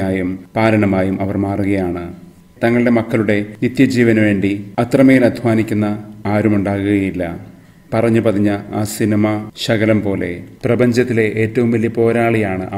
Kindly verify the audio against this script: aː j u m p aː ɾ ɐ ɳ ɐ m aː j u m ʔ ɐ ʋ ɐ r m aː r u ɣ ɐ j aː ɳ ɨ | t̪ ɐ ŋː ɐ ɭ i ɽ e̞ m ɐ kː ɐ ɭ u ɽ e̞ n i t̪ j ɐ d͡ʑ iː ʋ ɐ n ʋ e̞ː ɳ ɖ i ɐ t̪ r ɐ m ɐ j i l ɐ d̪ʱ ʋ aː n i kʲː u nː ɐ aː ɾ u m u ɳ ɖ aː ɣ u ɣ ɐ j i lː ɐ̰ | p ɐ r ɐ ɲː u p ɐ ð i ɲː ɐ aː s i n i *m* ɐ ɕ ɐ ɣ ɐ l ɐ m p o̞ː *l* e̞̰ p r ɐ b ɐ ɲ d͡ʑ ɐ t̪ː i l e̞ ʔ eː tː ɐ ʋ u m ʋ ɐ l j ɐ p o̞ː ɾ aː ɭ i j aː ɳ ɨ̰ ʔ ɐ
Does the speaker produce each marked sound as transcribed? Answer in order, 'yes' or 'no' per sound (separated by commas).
yes, yes